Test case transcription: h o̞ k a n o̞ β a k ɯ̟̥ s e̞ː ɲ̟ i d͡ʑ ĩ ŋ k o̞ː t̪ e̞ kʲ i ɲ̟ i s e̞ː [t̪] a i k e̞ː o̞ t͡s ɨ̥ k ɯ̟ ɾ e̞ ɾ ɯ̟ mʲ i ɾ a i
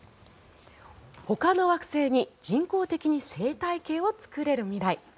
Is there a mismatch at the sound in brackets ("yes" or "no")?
no